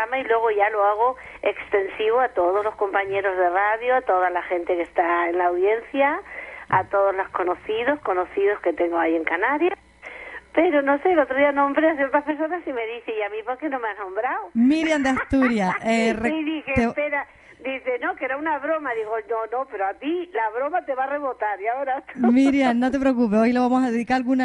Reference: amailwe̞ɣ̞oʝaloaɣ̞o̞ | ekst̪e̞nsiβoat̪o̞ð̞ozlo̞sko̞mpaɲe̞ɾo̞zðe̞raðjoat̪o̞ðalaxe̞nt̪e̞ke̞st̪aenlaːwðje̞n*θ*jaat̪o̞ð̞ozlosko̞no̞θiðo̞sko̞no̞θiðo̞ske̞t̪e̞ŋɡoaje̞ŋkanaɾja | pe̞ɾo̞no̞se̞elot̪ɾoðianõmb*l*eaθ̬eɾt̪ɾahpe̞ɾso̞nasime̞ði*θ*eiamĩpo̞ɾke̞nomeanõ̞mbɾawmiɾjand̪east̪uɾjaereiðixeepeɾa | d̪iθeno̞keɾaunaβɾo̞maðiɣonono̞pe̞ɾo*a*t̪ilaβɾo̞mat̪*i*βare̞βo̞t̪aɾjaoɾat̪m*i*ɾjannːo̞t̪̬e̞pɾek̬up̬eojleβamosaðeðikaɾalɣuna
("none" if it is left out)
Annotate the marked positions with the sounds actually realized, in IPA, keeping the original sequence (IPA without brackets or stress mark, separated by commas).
θ, ɾ, θ, a, e, i